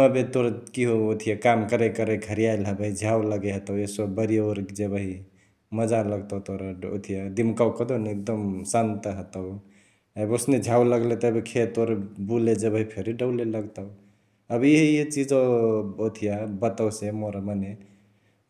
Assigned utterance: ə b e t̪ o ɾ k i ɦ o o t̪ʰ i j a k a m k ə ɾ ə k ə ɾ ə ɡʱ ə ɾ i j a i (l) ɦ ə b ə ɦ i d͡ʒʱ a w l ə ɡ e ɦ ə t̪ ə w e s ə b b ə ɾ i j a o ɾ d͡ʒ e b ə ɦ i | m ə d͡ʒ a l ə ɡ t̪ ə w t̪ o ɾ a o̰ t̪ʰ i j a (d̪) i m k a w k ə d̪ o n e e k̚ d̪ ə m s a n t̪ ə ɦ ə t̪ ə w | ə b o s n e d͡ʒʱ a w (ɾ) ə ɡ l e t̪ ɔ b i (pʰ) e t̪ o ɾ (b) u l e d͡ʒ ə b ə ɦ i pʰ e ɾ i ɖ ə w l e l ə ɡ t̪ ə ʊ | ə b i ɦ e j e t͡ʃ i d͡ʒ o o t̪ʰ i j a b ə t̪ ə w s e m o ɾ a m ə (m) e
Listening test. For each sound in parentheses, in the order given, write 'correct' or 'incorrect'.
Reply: correct, correct, incorrect: l, incorrect: kʰ, correct, incorrect: n

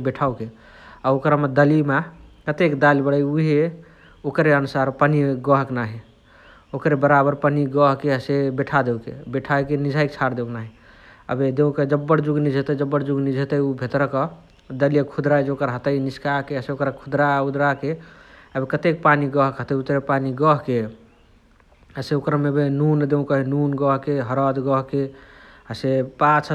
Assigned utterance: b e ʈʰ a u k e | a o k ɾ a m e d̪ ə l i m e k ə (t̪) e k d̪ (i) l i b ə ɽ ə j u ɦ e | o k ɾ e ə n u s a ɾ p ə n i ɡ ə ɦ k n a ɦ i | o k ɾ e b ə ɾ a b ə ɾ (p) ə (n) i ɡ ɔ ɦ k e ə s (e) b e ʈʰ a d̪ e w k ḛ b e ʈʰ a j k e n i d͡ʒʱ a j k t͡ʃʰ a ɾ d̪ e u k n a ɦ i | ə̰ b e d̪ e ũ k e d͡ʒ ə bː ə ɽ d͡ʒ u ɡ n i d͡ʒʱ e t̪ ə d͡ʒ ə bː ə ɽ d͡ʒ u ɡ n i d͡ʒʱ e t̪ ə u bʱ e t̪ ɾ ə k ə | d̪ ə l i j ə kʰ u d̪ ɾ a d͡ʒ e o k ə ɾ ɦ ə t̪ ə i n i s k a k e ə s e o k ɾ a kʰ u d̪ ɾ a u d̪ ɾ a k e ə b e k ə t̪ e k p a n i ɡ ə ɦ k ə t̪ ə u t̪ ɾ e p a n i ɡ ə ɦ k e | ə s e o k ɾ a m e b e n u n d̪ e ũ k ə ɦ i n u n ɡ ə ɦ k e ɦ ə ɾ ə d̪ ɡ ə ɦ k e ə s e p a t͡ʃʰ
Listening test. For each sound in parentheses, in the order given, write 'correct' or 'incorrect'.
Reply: correct, incorrect: a, correct, correct, correct

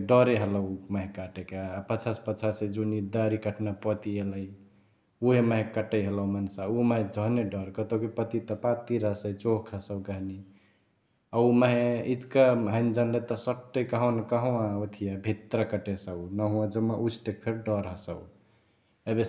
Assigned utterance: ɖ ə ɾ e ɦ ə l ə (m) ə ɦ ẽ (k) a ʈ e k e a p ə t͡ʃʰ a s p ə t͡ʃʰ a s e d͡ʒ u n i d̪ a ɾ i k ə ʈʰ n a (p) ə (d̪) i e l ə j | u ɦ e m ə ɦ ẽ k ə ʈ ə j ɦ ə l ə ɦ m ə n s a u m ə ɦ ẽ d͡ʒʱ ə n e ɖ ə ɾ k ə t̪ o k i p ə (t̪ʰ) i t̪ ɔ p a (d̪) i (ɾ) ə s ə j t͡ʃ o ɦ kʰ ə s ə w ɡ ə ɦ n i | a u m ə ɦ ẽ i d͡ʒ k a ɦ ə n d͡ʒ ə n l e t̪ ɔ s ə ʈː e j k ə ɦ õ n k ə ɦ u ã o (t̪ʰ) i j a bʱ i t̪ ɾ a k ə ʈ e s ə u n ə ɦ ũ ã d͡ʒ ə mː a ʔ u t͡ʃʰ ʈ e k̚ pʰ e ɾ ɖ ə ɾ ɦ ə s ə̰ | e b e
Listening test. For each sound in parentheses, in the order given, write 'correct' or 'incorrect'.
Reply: correct, correct, correct, incorrect: t̪, incorrect: t̪, incorrect: t̪, correct, correct

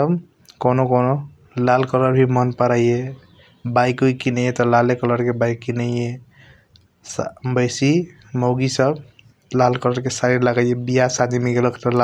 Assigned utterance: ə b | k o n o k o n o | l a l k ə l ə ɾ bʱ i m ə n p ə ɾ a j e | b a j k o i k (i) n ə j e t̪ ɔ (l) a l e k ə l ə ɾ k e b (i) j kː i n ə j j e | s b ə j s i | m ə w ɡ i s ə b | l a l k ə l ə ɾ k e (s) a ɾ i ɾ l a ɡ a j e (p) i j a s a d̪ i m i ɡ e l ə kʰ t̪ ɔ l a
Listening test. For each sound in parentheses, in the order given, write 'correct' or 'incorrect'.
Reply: correct, correct, incorrect: a, correct, incorrect: b

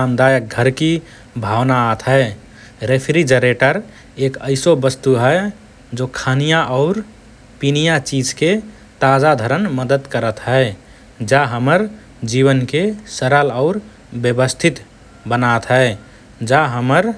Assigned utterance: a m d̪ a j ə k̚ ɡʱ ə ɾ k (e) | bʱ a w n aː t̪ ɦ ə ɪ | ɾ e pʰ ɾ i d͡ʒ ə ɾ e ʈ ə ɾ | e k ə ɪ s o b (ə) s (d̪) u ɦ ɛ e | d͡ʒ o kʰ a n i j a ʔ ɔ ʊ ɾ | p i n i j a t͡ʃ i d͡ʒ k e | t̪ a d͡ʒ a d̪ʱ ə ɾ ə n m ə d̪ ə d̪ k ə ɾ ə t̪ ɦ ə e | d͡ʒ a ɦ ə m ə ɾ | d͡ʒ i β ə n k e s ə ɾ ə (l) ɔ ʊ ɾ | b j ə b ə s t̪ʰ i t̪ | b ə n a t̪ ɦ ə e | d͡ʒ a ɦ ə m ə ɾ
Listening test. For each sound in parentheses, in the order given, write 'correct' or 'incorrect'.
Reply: incorrect: i, correct, incorrect: t̪, correct

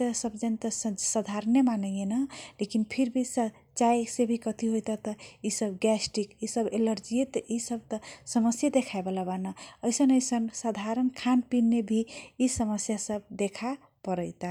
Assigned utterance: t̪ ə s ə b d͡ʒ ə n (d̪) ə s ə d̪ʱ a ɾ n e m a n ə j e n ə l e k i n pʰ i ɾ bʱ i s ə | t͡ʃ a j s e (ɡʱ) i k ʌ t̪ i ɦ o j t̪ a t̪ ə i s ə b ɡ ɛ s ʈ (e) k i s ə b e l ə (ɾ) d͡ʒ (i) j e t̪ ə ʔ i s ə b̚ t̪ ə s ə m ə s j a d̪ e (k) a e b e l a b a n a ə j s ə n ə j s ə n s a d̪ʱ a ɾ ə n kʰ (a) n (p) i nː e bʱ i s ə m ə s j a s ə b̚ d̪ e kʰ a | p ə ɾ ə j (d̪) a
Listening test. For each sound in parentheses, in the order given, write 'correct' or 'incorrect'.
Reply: incorrect: t̪, incorrect: bʱ, incorrect: i, correct, correct, incorrect: kʰ, correct, correct, incorrect: t̪

